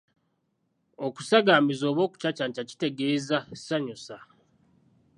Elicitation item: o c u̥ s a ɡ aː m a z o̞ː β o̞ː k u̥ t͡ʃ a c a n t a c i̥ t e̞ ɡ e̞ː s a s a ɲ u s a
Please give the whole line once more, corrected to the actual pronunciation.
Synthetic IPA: o k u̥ s a ɡ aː m i z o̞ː β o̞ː k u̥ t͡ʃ a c a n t a c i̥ t e̞ ɡ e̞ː z a s a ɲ u s a